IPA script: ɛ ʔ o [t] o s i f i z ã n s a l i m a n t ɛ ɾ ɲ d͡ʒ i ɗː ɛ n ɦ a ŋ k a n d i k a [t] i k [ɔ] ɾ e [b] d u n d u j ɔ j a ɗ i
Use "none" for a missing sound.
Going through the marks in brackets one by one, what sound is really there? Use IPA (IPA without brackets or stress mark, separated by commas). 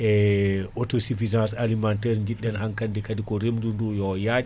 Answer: t, d, ɔ, m